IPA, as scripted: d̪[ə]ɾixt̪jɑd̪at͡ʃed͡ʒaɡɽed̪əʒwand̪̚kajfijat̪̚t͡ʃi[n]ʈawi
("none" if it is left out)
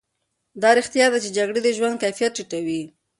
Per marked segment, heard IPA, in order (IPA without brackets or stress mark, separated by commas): ɑ, none